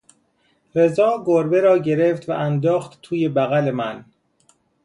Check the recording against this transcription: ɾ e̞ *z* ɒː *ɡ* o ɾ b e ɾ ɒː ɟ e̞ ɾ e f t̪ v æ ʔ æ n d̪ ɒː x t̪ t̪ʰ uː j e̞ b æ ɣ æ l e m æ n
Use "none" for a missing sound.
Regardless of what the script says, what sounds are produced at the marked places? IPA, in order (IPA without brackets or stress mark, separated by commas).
z, ɡ